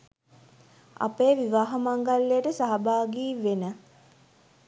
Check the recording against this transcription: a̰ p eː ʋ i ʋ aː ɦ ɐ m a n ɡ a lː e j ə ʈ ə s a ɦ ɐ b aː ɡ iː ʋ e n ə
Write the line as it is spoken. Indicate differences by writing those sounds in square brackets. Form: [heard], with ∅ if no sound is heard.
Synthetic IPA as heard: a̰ p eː ʋ i ʋ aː ɦ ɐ m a [ŋ] ɡ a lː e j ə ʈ ə s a ɦ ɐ b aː ɡ iː ʋ e n ə